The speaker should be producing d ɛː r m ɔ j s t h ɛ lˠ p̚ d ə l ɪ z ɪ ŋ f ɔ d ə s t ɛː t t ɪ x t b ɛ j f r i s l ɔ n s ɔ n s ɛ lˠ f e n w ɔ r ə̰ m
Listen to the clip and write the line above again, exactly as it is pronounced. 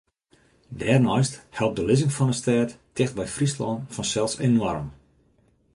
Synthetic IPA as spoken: d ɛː r n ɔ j s t h ɛ lˠ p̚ d ə l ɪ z ɪ ŋ f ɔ n ə s t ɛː t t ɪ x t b ɛ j f r i s l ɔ n f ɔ n s ɛ lˠ s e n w ɔ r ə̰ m